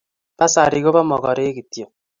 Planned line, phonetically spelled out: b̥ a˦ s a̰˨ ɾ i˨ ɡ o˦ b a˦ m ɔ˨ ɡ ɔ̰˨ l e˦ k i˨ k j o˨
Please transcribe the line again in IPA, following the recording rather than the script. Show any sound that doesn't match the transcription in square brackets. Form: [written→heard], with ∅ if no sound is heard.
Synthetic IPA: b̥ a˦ s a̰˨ ɾ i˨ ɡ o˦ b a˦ m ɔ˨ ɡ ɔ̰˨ [l→ɾ] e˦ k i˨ [k→t] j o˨